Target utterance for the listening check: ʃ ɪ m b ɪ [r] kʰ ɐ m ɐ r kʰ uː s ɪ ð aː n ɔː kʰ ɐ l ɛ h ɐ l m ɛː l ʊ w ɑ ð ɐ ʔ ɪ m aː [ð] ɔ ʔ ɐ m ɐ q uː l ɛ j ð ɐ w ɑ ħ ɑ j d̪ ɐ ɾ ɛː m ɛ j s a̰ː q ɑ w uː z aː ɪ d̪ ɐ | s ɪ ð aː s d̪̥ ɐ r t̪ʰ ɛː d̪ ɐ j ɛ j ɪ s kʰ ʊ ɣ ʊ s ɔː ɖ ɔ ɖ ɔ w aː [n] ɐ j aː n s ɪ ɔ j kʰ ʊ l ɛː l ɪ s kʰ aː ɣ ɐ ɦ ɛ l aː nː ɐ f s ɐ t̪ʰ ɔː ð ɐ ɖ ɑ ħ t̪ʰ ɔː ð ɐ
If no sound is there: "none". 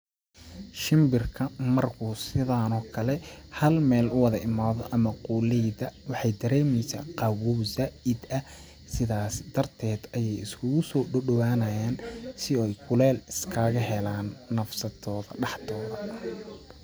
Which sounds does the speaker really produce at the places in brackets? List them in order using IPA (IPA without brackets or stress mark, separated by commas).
r, ð, n